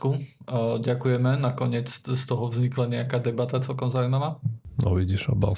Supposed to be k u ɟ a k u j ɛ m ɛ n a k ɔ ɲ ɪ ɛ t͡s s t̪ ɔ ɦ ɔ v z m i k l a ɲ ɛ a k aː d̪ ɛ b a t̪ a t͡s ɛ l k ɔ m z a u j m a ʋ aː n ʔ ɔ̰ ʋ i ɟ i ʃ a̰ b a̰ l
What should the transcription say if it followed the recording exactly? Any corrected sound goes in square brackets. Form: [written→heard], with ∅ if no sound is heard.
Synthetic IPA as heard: k u ɟ a k u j ɛ m ɛ n a k ɔ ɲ ɪ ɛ t͡s s t̪ ɔ ɦ ɔ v z [m→ɲ] i k l a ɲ ɛ a k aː d̪ ɛ b a t̪ a t͡s ɛ l k ɔ m z a u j m a ʋ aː n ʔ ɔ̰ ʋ i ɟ i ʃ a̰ b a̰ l